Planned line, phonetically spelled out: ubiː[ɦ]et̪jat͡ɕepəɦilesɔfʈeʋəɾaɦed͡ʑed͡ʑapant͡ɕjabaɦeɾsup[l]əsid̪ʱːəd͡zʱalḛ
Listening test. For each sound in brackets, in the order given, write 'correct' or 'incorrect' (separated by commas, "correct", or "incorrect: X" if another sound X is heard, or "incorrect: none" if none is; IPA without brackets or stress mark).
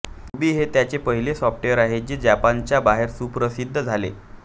correct, incorrect: ɾ